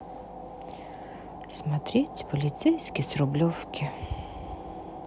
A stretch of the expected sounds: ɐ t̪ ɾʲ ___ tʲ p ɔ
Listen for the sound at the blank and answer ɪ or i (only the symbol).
i